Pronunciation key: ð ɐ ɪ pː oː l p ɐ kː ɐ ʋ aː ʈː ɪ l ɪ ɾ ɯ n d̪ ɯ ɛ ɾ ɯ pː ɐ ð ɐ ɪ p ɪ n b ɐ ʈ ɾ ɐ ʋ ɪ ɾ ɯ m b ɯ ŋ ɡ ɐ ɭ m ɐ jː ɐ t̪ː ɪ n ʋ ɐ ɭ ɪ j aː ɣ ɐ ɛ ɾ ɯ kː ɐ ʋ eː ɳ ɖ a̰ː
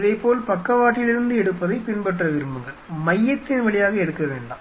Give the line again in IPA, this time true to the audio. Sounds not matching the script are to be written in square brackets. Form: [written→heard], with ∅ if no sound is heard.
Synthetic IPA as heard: ð ɐ ɪ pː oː l p ɐ kː ɐ ʋ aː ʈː ɪ l ɪ ɾ ɯ n d̪ ɯ ɛ [ɾ→ɽ] ɯ pː ɐ ð ɐ ɪ p ɪ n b ɐ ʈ [ɾ→r] ɐ ʋ ɪ ɾ ɯ m b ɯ ŋ ɡ ɐ ɭ m ɐ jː ɐ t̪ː ɪ n ʋ ɐ ɭ ɪ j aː ɣ ɐ ɛ [ɾ→ɽ] ɯ kː ɐ ʋ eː ɳ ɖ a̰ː